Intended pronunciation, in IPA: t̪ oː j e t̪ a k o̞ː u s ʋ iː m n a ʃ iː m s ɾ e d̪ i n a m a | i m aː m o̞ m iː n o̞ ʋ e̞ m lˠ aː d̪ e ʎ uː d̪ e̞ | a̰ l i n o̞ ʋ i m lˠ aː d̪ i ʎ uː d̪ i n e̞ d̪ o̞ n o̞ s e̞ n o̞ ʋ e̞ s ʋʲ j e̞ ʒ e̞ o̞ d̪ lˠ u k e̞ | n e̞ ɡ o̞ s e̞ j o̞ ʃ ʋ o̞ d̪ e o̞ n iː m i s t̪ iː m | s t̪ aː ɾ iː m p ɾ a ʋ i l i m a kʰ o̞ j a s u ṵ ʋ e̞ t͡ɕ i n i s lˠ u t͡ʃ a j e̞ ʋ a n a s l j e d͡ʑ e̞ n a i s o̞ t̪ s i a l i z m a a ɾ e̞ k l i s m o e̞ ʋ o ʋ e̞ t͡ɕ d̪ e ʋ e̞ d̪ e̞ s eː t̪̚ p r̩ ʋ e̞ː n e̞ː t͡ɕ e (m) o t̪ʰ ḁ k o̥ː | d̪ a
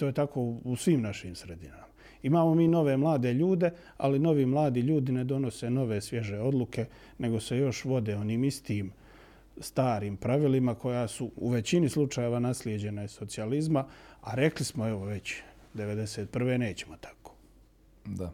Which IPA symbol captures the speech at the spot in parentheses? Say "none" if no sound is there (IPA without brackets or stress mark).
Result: m